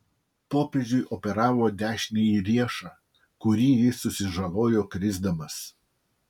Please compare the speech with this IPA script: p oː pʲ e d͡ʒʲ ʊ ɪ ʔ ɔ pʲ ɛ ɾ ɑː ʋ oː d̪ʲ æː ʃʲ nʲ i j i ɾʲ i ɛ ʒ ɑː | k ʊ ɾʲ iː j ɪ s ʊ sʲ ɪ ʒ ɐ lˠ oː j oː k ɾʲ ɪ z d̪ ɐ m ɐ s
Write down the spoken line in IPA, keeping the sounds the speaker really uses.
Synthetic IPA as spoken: p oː pʲ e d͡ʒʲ ʊ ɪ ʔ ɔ pʲ ɛ ɾ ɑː ʋ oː d̪ʲ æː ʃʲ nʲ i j i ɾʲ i ɛ ʃ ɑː | k ʊ ɾʲ iː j ɪ s ʊ sʲ ɪ ʒ ɐ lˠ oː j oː k ɾʲ ɪ z d̪ ɐ m ɐ s